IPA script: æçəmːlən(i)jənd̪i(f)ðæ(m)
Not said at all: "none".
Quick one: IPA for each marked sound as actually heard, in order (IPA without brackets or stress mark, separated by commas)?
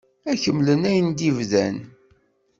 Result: æ, v, n